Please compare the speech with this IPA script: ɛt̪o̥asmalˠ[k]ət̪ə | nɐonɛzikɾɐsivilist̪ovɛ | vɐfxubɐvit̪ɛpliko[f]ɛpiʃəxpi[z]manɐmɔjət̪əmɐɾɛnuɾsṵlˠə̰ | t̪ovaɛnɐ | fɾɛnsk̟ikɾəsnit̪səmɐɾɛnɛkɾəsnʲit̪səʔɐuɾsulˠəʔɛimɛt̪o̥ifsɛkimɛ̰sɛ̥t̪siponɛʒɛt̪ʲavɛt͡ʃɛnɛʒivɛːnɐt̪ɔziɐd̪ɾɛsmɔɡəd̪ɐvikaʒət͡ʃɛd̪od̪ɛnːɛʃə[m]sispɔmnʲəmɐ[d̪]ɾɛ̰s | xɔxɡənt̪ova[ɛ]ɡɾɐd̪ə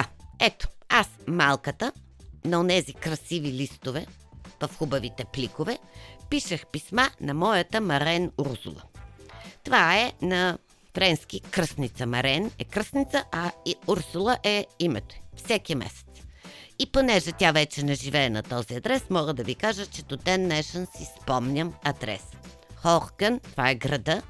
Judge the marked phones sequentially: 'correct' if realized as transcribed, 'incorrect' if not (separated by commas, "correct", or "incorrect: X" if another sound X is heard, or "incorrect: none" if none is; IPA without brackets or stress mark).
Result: correct, incorrect: v, incorrect: s, incorrect: n, correct, correct